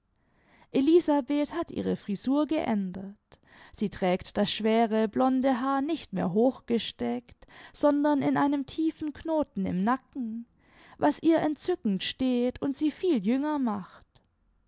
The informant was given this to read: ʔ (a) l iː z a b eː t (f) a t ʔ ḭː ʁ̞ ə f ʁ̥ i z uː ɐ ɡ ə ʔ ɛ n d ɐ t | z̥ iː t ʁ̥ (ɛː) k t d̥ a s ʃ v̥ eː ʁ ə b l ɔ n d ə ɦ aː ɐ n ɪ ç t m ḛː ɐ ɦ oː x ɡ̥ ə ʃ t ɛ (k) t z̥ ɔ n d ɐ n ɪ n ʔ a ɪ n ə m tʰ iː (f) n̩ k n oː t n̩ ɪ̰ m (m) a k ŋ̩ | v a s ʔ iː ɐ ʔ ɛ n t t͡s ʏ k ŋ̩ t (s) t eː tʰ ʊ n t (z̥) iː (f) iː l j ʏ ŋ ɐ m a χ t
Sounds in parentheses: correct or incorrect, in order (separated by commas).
incorrect, incorrect, correct, correct, correct, incorrect, incorrect, correct, correct